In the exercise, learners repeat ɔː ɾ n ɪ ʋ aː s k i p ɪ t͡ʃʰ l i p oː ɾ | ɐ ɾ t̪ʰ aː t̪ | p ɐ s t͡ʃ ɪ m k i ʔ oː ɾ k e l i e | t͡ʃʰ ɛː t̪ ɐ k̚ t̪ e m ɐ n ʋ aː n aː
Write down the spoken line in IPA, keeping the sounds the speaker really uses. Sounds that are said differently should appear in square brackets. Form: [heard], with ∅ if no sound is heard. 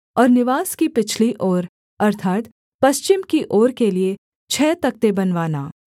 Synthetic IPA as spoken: ɔː ɾ n ɪ ʋ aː s k i p ɪ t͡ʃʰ l i [ʔ] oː ɾ | ɐ ɾ t̪ʰ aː t̪ | p ɐ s t͡ʃ ɪ m k i ʔ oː ɾ k e l i e | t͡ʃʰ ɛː t̪ ɐ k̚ t̪ e [b] ɐ n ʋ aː n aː